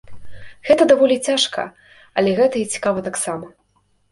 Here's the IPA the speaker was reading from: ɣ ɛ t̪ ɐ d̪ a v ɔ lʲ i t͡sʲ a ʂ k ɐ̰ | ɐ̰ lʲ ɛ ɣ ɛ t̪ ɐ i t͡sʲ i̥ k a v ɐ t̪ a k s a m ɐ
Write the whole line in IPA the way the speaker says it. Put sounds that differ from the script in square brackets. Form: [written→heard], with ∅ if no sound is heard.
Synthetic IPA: ɣ ɛ t̪ ɐ d̪ a v ɔ lʲ i t͡sʲ a ʂ k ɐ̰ | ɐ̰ lʲ ɛ ɣ ɛ t̪ ɐ i t͡sʲ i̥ k a v ɐ t̪ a k s a m ɐ

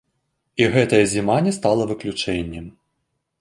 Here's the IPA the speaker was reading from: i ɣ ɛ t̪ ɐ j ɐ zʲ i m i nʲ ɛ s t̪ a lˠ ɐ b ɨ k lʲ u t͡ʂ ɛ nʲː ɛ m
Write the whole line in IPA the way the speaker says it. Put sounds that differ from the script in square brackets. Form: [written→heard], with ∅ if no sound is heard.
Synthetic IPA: i ɣ ɛ t̪ ɐ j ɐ zʲ i m [i→a] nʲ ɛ s t̪ a lˠ ɐ [b→v] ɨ k lʲ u t͡ʂ ɛ nʲː ɛ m

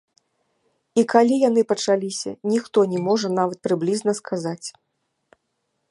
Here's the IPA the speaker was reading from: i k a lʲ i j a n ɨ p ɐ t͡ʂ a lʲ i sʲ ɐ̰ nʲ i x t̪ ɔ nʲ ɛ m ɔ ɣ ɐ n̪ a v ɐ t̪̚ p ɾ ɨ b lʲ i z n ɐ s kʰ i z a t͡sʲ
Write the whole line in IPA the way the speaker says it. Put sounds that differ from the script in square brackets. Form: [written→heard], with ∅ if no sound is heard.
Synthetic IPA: i k a lʲ i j a n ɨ p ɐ t͡ʂ a lʲ i sʲ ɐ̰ nʲ i x t̪ ɔ nʲ ɛ m ɔ [ɣ→ʐ] ɐ n̪ a v ɐ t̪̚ p ɾ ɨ b lʲ i z n ɐ s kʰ [i→a] z a t͡sʲ

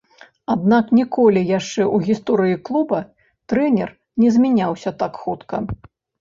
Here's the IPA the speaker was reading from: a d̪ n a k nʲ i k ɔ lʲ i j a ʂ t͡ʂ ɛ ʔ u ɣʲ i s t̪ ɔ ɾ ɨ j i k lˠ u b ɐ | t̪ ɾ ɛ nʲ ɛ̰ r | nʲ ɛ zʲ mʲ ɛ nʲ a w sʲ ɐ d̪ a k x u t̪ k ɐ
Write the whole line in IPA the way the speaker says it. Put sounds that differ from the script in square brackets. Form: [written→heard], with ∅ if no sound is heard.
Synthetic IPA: a d̪ n a k nʲ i k ɔ lʲ i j a ʂ t͡ʂ ɛ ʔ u ɣʲ i s t̪ ɔ ɾ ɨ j i k lˠ u b ɐ | t̪ ɾ ɛ nʲ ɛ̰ r | nʲ ɛ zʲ mʲ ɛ nʲ a w sʲ ɐ [d̪→t̪] a k x u t̪ k ɐ

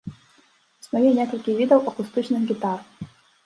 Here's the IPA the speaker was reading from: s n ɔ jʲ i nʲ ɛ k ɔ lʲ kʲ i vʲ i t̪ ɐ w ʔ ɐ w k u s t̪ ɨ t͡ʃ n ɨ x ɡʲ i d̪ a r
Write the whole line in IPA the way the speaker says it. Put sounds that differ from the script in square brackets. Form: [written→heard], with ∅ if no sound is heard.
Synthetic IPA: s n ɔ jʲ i nʲ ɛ k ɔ lʲ kʲ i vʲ i [t̪→d̪] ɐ w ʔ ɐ [w→∅] k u s t̪ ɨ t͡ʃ n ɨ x ɡʲ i [d̪→t̪] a r

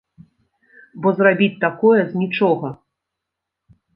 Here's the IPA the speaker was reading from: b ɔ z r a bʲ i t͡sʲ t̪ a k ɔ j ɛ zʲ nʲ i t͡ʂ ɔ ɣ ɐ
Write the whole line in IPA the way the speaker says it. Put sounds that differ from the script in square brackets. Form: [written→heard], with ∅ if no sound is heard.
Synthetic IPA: b ɔ z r a bʲ i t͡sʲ t̪ a k ɔ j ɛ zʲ nʲ i t͡ʂ ɔ ɣ ɐ

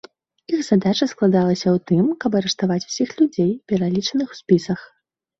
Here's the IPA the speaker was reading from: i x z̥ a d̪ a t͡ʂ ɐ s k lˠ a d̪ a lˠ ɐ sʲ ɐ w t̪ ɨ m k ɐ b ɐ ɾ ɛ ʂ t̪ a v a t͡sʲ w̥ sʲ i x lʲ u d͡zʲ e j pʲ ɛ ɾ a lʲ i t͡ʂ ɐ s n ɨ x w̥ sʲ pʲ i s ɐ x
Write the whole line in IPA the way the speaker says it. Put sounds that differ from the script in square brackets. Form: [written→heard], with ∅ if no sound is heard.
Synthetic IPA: i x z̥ a d̪ a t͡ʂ ɐ s k lˠ a d̪ a lˠ ɐ sʲ ɐ w t̪ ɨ m k ɐ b ɐ ɾ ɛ ʂ t̪ a v a t͡sʲ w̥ sʲ i x lʲ u d͡zʲ e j pʲ ɛ ɾ a lʲ i t͡ʂ ɐ [s→∅] n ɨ x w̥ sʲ pʲ i s ɐ x

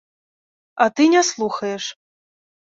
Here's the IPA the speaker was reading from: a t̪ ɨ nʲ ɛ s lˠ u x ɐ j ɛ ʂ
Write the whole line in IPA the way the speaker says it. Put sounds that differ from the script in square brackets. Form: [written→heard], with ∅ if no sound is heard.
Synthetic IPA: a t̪ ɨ nʲ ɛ s lˠ u x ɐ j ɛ ʂ

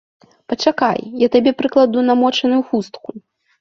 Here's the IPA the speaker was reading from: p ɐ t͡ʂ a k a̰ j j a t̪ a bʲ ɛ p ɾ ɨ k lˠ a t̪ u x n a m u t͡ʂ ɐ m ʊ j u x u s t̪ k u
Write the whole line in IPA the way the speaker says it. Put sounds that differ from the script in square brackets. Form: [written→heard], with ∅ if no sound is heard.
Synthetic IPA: p ɐ t͡ʂ a k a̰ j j a t̪ a bʲ ɛ p ɾ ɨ k lˠ a [t̪→d̪] u [x→∅] n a m [u→ɔ] t͡ʂ ɐ [m→n] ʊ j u x u s t̪ k u

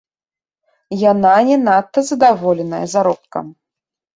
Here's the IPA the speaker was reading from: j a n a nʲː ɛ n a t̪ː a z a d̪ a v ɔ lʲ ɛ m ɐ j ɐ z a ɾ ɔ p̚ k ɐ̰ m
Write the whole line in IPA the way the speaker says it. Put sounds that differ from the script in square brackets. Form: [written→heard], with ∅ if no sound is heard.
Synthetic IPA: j a n a [nʲː→nʲ] ɛ n a t̪ː [a→ɐ] z [a→ɐ] d̪ a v ɔ lʲ ɛ [m→n] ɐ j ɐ z a ɾ ɔ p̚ k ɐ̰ m

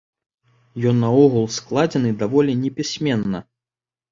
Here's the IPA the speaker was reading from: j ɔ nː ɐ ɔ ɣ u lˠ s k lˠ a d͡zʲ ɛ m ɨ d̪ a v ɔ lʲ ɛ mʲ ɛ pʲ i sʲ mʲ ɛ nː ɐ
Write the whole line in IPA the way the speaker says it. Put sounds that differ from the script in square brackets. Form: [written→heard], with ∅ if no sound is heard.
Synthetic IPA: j ɔ nː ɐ ɔ ɣ u lˠ s k lˠ a d͡zʲ ɛ [m→n] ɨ d̪ a v ɔ lʲ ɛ [mʲ→nʲ] ɛ pʲ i sʲ mʲ ɛ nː ɐ

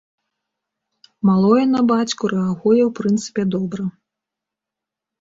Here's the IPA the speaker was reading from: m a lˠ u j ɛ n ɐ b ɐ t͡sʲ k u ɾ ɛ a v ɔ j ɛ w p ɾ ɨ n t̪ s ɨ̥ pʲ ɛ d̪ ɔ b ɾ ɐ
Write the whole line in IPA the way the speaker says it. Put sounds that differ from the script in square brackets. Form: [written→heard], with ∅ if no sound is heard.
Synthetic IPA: m a lˠ [u→ɔ] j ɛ n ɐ b [ɐ→a] t͡sʲ k u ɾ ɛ a [v→ɣ] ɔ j ɛ w p ɾ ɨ n t̪ s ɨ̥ pʲ ɛ d̪ ɔ b ɾ ɐ

